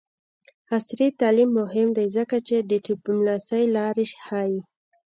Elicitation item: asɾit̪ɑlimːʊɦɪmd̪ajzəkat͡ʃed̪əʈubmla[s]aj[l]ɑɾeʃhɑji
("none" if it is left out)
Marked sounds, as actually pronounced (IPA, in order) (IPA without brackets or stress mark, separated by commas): s, l